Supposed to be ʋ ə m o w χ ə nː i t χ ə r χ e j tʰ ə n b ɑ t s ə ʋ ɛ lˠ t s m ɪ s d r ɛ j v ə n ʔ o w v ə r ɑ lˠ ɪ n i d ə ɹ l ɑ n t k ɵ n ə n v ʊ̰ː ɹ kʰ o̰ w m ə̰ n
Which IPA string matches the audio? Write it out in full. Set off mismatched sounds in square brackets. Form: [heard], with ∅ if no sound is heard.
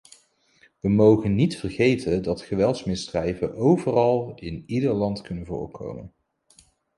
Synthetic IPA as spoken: ʋ ə m o w χ ə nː i t [f] ə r χ e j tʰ ə n [d] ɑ t [χ] ə ʋ ɛ lˠ t s m ɪ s d r ɛ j v ə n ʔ o w v ə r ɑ lˠ ɪ n i d ə ɹ l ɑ n t k ɵ n ə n v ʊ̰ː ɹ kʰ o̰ w m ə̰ n